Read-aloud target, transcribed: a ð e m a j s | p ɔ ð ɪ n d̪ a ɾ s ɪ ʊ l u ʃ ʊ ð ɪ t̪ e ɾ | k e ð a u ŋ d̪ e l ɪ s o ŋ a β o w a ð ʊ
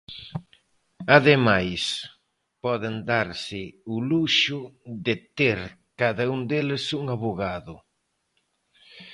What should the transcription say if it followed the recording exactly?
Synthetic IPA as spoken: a ð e m a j s | p ɔ ð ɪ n d̪ a ɾ s ɪ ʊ l u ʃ ʊ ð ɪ t̪ e ɾ | k a ð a u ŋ d̪ e l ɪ s u ŋ a β o ɣ a ð ʊ